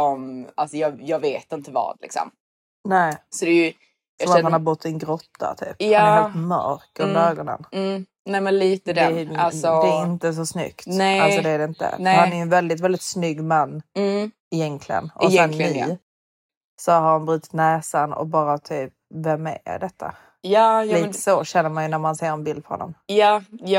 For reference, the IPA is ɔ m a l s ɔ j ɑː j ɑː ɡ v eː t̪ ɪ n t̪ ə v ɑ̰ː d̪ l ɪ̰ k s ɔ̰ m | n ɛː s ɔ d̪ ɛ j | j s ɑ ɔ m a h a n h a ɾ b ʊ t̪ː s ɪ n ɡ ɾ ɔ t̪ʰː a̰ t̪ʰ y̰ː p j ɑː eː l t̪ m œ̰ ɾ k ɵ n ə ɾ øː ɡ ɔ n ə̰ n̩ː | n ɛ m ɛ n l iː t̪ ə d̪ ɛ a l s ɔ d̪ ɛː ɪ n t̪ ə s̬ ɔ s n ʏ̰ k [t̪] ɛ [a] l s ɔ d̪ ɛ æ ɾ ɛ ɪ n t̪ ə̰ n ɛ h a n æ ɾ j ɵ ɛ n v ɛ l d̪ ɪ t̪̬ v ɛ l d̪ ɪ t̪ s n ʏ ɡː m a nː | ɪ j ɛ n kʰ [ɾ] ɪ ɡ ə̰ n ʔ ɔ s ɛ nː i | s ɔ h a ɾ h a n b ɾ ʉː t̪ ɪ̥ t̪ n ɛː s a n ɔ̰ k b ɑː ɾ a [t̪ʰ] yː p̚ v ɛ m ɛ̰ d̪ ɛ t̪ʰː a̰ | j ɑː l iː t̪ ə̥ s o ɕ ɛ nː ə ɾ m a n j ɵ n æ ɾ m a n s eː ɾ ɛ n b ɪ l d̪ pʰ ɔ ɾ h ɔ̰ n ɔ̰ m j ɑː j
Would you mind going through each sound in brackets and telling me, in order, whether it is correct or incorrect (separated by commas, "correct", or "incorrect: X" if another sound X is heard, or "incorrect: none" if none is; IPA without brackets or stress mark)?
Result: correct, correct, incorrect: l, correct